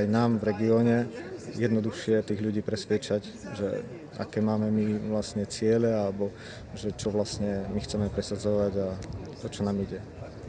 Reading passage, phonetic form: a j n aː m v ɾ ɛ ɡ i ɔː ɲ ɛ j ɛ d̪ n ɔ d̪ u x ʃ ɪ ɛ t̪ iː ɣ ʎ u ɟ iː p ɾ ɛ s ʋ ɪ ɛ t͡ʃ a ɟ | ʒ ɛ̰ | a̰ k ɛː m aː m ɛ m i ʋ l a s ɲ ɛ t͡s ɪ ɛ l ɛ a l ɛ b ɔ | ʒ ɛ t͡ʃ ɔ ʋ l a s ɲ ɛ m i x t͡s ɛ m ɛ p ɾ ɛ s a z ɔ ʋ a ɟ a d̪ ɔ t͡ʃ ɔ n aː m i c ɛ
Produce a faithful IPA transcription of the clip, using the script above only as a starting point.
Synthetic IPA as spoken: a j n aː m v ɾ ɛ ɡ i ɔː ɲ ɛ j ɛ d̪ n ɔ d̪ u x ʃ ɪ ɛ t̪ iː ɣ ʎ u ɟ iː p ɾ ɛ s ʋ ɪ ɛ t͡ʃ a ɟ | ʒ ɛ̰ | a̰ k ɛː m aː m ɛ m i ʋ l a s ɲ ɛ t͡s ɪ ɛ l ɛ a l ɛ b ɔ | ʒ ɛ t͡ʃ ɔ ʋ l a s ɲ ɛ m i x t͡s ɛ m ɛ p ɾ ɛ s a d͡z ɔ ʋ a ɟ a t̪ ɔ t͡ʃ ɔ n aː m i ɟ ɛ